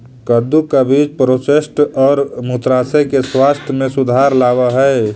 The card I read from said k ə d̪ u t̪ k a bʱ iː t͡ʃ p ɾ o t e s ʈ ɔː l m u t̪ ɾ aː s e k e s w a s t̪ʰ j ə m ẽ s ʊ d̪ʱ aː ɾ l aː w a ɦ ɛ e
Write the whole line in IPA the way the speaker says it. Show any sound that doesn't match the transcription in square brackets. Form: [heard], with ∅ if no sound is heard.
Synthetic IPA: k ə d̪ u [∅] k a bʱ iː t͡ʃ p ɾ o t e s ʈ ɔː [ɾ] m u t̪ ɾ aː s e k e s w a s t̪ʰ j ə m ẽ s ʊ d̪ʱ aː ɾ l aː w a ɦ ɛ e